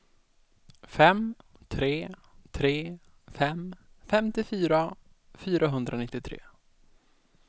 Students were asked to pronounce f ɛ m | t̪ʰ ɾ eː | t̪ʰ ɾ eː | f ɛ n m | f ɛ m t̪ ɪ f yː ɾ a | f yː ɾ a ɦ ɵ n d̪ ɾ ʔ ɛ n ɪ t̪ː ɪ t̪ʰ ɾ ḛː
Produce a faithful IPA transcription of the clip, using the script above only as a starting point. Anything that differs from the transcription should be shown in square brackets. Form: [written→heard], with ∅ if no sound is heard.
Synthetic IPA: f ɛ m | t̪ʰ ɾ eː | t̪ʰ ɾ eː | f ɛ [n→∅] m | f ɛ m t̪ ɪ f yː ɾ a | f yː ɾ a ɦ ɵ n d̪ ɾ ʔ [ɛ→a] n ɪ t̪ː ɪ t̪ʰ ɾ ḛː